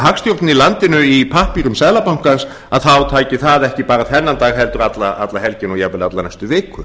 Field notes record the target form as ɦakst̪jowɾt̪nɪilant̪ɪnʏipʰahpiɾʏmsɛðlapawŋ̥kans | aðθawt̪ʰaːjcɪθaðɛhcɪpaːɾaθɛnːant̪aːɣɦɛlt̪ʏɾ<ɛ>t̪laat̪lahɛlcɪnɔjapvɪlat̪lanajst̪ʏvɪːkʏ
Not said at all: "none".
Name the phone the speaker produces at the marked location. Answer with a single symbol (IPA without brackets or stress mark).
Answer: a